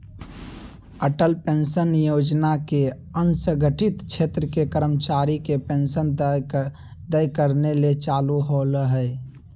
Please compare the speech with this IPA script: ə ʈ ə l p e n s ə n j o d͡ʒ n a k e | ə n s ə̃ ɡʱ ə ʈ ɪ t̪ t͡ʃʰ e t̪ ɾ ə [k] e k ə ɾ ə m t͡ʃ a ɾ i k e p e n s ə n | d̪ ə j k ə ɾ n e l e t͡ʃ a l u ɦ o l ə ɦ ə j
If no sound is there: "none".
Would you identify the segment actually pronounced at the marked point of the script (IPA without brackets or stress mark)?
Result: k